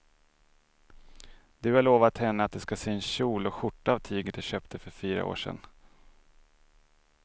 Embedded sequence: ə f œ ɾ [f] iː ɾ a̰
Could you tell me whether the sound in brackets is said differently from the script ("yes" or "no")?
no